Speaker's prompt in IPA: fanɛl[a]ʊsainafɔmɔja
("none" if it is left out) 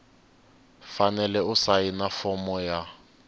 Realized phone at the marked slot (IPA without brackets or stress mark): ɛ